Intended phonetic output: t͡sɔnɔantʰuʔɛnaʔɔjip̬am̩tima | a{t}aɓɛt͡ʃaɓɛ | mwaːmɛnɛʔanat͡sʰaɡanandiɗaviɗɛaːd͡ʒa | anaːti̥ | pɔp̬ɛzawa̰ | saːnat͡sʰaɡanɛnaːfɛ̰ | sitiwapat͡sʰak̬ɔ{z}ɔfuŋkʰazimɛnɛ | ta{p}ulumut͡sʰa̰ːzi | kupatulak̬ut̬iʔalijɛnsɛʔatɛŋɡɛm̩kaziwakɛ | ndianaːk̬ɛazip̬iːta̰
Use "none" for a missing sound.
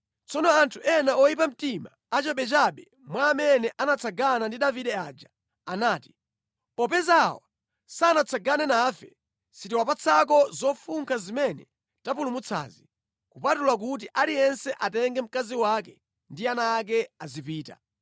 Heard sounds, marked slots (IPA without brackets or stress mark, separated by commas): t͡ʃ, z, p